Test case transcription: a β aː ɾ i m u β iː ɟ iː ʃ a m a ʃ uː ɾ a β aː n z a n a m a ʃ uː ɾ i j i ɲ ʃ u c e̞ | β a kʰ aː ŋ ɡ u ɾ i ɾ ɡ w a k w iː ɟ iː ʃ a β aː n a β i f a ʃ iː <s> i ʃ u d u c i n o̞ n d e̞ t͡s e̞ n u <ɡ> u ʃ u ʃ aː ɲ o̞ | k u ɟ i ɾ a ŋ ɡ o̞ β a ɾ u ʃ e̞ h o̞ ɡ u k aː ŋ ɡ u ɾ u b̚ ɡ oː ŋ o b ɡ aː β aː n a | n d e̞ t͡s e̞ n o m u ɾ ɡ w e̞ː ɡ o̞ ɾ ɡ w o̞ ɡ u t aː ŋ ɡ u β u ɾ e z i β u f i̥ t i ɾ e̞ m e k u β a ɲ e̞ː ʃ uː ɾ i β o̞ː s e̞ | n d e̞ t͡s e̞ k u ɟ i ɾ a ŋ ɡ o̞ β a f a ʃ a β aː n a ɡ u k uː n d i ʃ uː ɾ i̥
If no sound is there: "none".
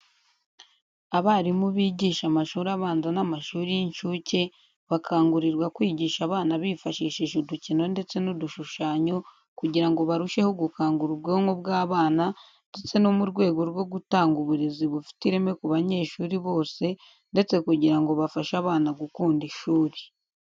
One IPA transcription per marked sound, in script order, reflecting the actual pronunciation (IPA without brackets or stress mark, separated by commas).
ʃ, d